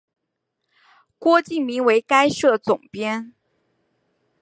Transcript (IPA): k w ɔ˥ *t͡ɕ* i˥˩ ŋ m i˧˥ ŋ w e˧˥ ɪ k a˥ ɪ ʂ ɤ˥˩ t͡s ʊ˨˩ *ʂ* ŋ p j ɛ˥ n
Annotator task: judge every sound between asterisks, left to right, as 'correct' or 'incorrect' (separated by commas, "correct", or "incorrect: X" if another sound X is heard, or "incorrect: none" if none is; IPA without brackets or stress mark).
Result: correct, incorrect: none